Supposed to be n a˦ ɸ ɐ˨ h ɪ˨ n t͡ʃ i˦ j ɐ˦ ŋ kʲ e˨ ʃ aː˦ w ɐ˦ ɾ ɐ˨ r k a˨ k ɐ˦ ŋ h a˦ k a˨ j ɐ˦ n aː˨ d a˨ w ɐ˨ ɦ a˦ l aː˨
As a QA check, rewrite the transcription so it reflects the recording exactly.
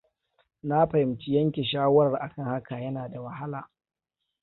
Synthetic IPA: n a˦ ɸ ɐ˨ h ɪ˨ m t͡ʃ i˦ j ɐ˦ ŋ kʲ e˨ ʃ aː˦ w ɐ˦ ɾ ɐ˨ r ʔ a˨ k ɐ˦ ŋ h a˦ k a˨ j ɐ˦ n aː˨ d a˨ w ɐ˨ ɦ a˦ l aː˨